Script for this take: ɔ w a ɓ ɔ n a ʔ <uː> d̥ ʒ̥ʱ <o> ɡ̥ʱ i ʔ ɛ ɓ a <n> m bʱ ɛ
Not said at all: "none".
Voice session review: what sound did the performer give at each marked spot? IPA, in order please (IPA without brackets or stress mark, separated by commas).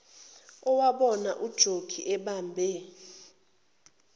u, o, none